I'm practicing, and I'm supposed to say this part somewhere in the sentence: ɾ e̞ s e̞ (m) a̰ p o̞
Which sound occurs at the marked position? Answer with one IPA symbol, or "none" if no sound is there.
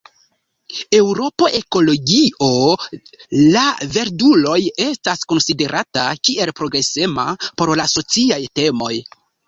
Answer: m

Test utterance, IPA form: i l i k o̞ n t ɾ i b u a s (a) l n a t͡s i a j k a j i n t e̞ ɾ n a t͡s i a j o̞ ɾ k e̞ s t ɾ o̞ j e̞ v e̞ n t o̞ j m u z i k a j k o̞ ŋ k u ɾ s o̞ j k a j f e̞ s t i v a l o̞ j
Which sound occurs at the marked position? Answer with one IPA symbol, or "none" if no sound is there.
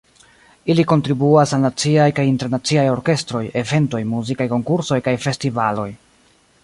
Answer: a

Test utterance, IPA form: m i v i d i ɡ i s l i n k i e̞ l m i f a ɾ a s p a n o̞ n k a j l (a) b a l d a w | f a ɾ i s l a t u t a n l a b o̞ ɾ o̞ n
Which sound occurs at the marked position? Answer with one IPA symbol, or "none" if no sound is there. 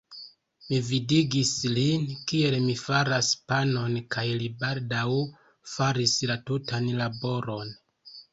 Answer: i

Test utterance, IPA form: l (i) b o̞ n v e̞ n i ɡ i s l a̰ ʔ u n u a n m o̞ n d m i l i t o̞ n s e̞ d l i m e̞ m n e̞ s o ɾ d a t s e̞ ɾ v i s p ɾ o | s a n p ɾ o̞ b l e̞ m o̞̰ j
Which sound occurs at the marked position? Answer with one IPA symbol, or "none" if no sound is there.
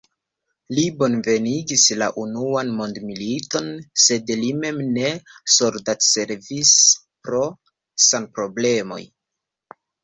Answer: i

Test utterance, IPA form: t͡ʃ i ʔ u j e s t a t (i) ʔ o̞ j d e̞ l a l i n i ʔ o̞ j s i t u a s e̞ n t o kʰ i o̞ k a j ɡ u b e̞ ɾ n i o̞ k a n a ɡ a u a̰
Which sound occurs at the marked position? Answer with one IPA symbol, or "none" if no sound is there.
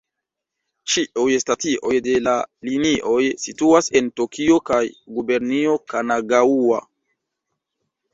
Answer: i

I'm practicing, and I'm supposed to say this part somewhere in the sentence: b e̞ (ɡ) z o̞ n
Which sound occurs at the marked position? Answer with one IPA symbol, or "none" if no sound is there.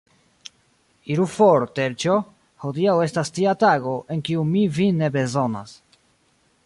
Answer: none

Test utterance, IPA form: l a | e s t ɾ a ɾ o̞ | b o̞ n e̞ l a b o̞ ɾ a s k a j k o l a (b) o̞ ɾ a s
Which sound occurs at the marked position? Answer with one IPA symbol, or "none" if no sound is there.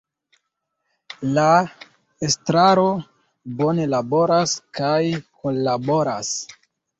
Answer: b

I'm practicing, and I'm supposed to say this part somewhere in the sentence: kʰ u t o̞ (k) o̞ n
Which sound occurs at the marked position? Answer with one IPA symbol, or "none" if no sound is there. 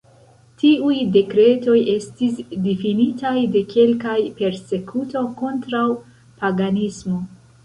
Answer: k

